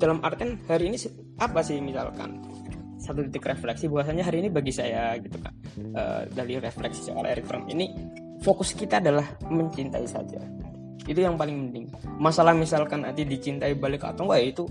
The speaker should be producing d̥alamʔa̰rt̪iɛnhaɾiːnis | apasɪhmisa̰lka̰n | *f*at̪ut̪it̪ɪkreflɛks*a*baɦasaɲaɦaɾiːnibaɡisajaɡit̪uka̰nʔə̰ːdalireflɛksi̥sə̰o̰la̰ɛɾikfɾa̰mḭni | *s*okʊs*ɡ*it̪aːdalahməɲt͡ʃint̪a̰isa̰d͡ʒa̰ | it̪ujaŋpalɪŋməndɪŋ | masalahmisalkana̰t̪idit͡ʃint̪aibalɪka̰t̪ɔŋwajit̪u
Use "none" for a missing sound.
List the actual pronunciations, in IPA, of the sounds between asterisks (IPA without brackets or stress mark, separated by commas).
s, i, f, k